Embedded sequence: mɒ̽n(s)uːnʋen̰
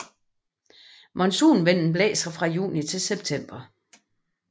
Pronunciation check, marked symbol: correct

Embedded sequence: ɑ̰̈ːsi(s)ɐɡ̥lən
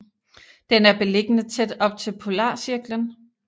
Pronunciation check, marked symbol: incorrect: none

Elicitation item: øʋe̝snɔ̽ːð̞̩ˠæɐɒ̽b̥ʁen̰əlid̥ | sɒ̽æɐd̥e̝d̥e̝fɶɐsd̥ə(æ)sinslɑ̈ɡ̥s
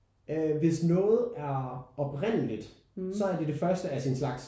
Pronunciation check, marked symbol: correct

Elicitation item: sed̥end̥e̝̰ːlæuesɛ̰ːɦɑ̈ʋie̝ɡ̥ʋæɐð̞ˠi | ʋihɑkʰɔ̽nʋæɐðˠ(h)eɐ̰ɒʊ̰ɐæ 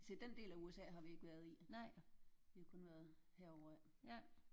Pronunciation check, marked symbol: correct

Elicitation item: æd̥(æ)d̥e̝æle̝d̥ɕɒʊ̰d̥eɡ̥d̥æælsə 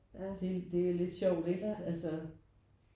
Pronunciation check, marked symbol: incorrect: e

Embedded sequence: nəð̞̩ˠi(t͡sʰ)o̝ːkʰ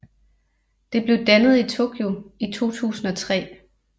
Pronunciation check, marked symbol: correct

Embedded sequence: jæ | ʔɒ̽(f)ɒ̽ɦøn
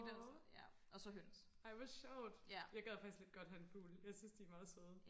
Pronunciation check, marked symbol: incorrect: s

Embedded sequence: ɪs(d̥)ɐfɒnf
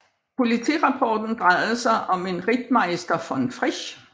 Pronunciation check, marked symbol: correct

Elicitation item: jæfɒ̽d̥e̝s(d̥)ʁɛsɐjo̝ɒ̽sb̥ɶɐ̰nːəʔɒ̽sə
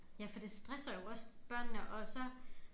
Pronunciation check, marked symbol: correct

